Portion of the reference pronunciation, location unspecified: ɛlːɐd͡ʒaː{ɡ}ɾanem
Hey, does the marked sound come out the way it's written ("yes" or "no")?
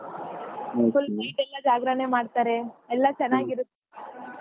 yes